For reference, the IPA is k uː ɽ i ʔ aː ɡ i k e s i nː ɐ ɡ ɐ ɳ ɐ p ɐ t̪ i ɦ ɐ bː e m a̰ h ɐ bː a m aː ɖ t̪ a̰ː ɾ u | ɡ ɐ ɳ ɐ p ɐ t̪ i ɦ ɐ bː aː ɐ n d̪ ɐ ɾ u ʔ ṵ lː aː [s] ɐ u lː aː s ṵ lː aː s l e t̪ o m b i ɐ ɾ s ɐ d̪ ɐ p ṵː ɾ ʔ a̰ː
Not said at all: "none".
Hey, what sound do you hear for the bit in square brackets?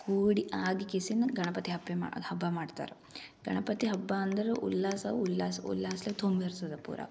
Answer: s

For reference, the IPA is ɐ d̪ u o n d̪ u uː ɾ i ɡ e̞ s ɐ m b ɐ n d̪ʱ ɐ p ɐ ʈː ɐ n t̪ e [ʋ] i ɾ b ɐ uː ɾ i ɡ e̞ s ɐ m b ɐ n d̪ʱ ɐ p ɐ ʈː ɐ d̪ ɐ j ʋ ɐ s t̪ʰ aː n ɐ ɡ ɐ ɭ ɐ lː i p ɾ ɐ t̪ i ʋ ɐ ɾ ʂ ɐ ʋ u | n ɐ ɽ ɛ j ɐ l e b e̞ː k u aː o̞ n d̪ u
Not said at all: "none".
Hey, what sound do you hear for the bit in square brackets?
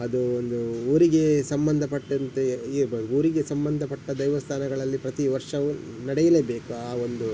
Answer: none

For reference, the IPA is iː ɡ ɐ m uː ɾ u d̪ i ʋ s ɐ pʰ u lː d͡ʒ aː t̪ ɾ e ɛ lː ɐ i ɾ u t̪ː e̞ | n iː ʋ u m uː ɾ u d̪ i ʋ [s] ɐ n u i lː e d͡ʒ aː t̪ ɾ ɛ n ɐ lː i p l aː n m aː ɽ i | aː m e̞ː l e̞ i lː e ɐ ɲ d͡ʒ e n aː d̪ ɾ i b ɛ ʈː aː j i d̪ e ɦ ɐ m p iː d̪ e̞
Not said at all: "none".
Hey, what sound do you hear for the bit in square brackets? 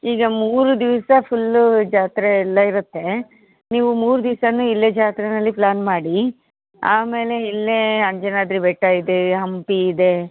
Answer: s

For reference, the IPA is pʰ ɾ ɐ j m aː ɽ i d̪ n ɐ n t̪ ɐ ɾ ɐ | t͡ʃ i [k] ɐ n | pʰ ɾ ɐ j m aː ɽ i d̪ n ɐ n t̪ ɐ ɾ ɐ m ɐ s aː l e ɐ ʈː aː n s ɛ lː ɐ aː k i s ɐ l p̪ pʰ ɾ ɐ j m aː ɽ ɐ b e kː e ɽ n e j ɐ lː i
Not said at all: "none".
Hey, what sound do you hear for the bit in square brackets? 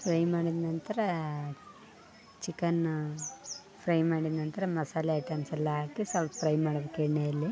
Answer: k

